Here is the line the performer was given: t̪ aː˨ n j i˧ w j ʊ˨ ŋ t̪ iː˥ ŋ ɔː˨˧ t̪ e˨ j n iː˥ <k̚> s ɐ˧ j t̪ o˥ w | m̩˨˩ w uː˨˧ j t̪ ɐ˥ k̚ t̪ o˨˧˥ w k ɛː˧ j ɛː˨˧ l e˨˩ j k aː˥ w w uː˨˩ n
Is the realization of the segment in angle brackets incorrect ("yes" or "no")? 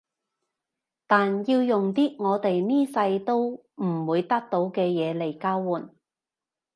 yes